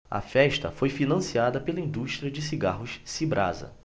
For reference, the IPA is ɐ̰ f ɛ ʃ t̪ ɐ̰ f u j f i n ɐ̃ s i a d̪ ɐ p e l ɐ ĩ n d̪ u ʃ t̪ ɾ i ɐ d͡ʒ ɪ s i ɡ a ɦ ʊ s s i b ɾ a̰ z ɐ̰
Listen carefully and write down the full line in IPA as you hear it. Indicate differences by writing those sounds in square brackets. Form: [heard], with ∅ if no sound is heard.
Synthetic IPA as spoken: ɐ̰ f ɛ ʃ t̪ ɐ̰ f [o] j f i n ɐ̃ s i a d̪ ɐ p e l ɐ ĩ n d̪ u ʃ t̪ ɾ i ɐ d͡ʒ ɪ s i ɡ a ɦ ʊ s s i b ɾ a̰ z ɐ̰